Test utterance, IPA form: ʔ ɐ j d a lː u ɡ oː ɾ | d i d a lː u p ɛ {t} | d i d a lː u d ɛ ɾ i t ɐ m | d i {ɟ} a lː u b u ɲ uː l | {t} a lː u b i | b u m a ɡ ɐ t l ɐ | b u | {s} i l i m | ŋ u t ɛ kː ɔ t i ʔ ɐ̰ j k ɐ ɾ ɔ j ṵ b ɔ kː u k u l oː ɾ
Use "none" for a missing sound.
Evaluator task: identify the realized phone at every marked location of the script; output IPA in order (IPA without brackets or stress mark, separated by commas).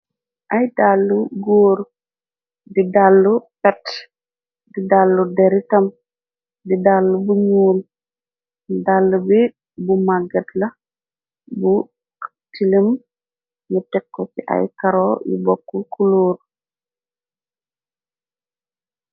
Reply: t, d, d, t